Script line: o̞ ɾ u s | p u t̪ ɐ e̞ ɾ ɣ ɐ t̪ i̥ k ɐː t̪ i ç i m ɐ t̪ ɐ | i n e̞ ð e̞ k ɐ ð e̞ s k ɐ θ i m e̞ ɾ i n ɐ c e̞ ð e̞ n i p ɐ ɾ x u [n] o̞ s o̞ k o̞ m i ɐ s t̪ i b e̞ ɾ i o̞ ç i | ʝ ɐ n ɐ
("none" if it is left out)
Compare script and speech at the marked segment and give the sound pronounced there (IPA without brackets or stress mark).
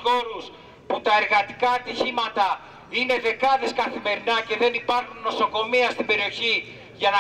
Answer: nː